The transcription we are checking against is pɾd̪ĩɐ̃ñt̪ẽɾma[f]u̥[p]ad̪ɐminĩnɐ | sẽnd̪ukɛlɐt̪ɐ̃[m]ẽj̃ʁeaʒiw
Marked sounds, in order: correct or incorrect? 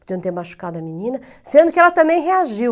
incorrect: ʃ, incorrect: k, correct

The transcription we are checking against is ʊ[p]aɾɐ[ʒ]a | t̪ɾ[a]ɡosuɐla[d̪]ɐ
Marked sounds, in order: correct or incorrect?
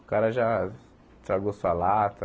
incorrect: k, correct, correct, incorrect: t̪

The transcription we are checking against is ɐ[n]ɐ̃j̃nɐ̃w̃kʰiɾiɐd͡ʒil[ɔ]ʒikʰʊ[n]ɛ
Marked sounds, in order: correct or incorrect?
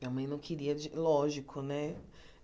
incorrect: m, correct, correct

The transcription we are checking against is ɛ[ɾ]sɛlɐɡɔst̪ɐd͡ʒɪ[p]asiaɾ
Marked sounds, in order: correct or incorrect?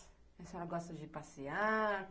incorrect: none, correct

